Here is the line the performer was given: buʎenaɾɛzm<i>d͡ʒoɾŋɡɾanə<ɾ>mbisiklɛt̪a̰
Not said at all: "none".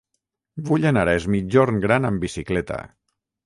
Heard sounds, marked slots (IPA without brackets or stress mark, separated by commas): i, none